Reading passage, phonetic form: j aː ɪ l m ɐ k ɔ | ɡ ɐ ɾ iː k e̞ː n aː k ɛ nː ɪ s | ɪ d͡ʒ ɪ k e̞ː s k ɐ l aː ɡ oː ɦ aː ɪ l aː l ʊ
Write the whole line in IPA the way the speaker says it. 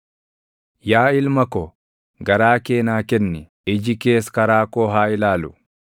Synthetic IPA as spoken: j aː ɪ l m ɐ k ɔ | ɡ ɐ ɾ aː k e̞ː n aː k ɛ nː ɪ | ɪ d͡ʒ ɪ k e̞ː s k ɐ ɾ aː k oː ɦ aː ɪ l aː l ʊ